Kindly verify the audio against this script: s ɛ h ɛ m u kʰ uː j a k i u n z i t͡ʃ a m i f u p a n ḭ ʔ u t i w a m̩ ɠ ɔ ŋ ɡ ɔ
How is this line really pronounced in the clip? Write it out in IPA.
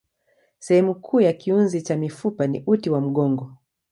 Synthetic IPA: s ɛ h ɛ m u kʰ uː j a k i u n z i t͡ʃ a m i f u p a n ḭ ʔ u t i w a m̩ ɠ ɔ ŋ ɡ ɔ